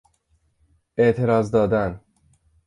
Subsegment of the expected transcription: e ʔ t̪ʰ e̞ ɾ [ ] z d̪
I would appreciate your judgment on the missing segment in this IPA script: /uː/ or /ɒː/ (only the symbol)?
ɒː